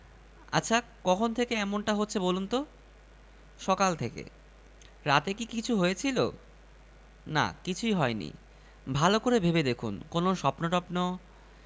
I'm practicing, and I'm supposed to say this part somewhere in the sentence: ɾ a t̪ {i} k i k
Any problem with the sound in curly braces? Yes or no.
yes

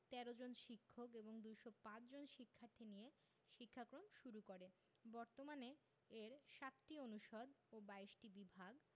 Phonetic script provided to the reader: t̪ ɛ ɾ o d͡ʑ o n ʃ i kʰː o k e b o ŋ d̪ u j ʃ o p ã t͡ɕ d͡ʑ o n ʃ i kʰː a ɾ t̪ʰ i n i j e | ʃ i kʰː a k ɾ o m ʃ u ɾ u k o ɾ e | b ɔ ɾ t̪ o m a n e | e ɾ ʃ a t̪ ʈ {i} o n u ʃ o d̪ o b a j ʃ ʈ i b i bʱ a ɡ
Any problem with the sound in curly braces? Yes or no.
no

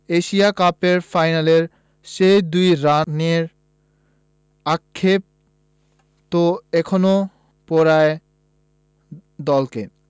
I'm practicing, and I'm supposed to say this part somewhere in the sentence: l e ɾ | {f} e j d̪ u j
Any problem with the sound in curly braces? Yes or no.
yes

